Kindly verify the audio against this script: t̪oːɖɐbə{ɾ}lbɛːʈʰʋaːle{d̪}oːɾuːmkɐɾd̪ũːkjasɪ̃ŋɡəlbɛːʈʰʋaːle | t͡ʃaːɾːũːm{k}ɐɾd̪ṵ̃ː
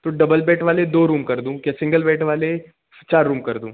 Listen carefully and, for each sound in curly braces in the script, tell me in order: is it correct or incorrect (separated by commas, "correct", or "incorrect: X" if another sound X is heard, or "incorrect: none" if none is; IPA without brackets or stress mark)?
incorrect: none, correct, correct